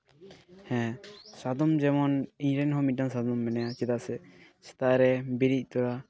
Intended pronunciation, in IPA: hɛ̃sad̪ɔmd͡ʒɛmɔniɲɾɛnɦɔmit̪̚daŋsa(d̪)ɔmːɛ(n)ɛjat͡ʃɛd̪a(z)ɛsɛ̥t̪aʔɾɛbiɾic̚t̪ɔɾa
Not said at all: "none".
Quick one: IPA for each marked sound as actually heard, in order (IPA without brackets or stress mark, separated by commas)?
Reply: d̪, n, s